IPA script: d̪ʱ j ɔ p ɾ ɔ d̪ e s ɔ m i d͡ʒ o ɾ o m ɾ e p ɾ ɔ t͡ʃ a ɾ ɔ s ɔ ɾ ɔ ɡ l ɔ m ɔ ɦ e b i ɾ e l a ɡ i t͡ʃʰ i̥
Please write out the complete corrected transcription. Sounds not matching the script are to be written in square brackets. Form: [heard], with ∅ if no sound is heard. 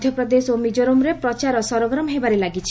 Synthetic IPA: d̪ʱ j ɔ p ɾ ɔ d̪ e s [o] m i d͡ʒ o ɾ o m ɾ e p ɾ ɔ t͡ʃ a ɾ ɔ s ɔ ɾ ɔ ɡ [ɾ] ɔ m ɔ ɦ e b [a] ɾ e l a ɡ i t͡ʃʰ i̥

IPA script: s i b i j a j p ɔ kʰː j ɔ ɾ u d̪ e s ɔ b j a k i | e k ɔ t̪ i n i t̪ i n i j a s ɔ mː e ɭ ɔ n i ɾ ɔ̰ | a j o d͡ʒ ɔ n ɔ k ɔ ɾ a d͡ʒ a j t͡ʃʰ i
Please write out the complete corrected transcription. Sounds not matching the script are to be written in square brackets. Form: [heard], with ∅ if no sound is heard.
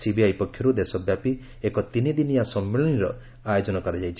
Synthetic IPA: s i b i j a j p ɔ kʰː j ɔ ɾ u d̪ e s ɔ b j a [p] i | e k ɔ t̪ i n i [d̪] i n i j a s ɔ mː e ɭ ɔ n i ɾ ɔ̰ | a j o d͡ʒ ɔ n ɔ k ɔ ɾ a d͡ʒ a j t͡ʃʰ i

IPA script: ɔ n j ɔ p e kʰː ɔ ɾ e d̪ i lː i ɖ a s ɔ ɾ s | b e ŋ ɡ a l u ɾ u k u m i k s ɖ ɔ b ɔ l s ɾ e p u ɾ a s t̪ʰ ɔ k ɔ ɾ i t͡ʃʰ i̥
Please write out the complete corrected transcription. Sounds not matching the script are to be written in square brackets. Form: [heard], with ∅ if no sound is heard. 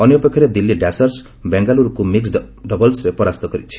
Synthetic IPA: ɔ n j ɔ p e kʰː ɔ ɾ e d̪ i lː i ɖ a s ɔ ɾ s | b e ŋ ɡ a l u ɾ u k u m i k s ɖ ɔ b ɔ l s ɾ e p [ɔ] ɾ a s [t̪] ɔ k ɔ ɾ i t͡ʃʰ i̥

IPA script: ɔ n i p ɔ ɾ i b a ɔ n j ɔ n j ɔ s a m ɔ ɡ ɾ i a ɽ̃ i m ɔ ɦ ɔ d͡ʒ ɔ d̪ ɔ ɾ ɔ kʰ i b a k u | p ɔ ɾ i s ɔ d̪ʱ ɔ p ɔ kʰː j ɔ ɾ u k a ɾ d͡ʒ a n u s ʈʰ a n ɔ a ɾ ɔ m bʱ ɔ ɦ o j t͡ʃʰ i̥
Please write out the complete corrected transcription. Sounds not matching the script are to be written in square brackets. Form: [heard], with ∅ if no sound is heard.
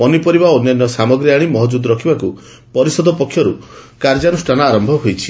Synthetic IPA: ɔ n i p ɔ ɾ i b a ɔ n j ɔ n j ɔ s a m ɔ ɡ ɾ i a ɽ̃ i m ɔ ɦ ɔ d͡ʒ [u] d̪ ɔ ɾ ɔ kʰ i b a k u | p ɔ ɾ i s ɔ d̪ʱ ɔ p ɔ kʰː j ɔ ɾ u k a ɾ d͡ʒ a n u s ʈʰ a n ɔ a ɾ ɔ m bʱ ɔ ɦ o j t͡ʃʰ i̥

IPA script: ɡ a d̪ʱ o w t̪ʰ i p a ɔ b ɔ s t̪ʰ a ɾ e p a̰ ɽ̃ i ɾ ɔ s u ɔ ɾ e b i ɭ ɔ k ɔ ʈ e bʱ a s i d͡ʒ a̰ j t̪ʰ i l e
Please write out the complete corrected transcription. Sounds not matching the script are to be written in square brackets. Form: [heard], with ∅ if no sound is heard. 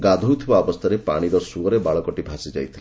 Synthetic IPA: ɡ a d̪ʱ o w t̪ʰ i [b] a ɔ b ɔ s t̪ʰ a ɾ e p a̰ ɽ̃ i ɾ ɔ s u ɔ ɾ e b [a] ɭ ɔ k ɔ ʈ [i] bʱ a s i d͡ʒ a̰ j t̪ʰ i l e

